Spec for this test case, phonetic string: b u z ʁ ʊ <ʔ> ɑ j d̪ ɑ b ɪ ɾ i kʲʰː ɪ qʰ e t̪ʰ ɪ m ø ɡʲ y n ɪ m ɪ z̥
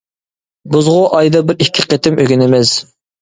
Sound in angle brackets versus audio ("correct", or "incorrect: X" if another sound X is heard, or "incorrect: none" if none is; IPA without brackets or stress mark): correct